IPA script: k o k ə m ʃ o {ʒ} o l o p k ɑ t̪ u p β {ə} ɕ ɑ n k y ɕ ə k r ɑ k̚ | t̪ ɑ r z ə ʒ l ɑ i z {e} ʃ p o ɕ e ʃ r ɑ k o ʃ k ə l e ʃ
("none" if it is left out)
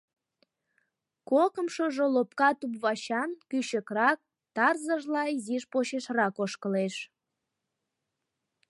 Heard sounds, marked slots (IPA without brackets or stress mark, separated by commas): ʒ, ɑ, i